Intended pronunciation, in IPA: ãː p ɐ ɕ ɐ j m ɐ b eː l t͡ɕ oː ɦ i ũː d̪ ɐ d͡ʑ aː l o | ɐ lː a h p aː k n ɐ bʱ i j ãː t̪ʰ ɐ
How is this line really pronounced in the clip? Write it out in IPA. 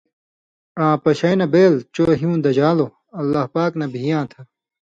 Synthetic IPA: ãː p ɐ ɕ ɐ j n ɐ b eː l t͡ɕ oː ɦ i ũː d̪ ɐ d͡ʑ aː l o | ɐ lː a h p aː k n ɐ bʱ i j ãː t̪ʰ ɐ